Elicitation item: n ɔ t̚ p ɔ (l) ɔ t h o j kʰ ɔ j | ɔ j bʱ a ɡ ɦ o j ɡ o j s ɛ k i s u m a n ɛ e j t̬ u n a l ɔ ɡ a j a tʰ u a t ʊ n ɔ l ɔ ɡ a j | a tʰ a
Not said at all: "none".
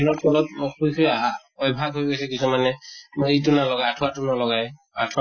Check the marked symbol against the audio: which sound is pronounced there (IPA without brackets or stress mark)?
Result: l